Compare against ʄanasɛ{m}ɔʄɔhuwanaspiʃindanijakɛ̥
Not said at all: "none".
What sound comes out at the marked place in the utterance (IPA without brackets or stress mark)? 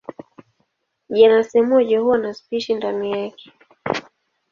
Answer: m